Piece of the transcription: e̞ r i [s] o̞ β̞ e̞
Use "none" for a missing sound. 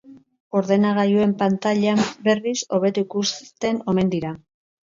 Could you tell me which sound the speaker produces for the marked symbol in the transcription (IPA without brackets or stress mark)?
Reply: s